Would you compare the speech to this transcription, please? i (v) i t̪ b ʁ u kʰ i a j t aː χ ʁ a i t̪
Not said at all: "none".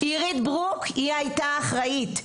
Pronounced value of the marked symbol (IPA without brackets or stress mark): ʁ